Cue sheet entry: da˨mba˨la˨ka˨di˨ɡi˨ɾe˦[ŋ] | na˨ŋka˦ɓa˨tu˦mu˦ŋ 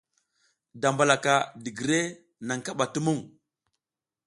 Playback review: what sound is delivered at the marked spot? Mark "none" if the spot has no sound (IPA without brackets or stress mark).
none